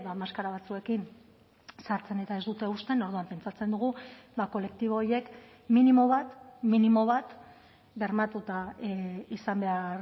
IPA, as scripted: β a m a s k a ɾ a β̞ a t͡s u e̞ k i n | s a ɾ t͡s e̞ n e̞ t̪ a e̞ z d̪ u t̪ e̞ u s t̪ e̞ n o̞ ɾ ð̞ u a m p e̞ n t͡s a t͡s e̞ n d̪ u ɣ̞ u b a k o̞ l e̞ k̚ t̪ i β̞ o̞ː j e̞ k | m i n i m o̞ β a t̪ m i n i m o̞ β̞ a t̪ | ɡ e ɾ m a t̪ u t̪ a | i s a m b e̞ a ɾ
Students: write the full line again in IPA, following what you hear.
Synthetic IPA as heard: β a m a s k a ɾ a β̞ a t͡s u e̞ k i n | s a ɾ t͡s e̞ n e̞ t̪ a e̞ z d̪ u t̪ e̞ u s t̪ e̞ n o̞ ɾ ð̞ u a m p e̞ n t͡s a t͡s e̞ n d̪ u ɣ̞ u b a k o̞ l e̞ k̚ t̪ i β̞ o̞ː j e̞ k | m i n i m o̞ β a t̪ m i n i m o̞ β̞ a t̪ | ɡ e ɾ m a t̪ u t̪ a | i s a m b e̞ a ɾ